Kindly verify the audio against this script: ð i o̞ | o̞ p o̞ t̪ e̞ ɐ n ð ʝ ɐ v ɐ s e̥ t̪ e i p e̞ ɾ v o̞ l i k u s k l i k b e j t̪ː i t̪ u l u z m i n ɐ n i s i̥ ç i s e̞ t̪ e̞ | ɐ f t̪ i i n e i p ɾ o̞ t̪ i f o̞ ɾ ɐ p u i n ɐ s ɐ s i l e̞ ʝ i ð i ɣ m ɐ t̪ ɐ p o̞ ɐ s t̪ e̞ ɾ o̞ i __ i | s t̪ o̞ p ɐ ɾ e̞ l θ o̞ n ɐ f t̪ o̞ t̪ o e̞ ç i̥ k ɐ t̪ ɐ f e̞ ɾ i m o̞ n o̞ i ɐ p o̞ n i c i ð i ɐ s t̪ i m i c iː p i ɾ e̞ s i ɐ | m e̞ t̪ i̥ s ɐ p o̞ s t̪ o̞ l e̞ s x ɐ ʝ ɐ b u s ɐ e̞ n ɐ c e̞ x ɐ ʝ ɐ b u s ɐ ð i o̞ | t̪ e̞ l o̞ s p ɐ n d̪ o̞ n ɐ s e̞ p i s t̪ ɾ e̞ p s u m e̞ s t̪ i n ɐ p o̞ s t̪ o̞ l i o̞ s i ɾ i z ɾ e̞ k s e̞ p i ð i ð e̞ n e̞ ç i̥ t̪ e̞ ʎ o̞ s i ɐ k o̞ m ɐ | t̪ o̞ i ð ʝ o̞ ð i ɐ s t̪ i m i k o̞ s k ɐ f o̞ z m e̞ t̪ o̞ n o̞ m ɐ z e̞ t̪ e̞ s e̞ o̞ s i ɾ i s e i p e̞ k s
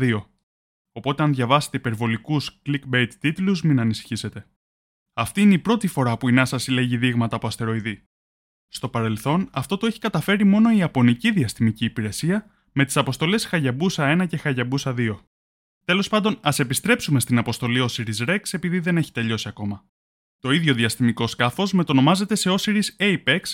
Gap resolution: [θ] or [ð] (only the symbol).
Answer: ð